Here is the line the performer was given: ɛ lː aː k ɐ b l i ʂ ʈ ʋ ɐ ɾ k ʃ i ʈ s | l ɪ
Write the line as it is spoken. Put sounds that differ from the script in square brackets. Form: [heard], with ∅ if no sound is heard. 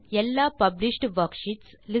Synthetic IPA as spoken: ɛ lː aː [p] ɐ b l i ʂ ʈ ʋ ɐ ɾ k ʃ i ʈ s | l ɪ